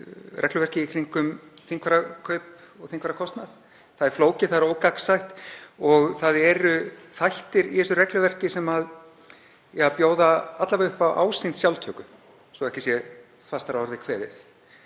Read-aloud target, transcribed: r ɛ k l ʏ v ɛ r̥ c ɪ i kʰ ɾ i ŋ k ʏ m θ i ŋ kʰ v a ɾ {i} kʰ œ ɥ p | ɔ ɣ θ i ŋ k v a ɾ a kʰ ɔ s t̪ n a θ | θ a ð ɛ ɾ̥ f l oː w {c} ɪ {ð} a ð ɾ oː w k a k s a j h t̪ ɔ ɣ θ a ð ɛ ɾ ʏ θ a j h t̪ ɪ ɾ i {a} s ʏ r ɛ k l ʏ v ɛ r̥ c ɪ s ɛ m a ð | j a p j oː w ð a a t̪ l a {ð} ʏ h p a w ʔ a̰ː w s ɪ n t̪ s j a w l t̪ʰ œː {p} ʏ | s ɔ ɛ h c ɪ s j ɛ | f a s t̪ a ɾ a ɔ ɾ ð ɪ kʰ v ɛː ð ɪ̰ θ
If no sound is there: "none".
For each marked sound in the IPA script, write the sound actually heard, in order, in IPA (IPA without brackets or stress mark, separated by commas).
a, c, θ, ɛ, v, k